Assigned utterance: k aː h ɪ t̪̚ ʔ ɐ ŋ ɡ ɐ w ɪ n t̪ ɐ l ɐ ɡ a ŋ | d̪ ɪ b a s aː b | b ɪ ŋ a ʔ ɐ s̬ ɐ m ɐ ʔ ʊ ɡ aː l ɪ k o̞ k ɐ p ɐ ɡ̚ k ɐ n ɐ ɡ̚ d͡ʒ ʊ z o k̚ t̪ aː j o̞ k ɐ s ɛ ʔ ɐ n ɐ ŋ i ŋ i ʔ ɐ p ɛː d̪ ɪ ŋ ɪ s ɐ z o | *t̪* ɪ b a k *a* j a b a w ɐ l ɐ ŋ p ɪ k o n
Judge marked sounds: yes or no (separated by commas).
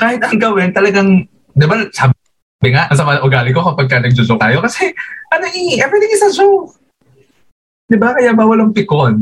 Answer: no, no